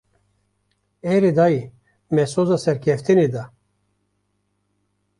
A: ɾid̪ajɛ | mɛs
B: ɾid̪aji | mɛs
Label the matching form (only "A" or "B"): B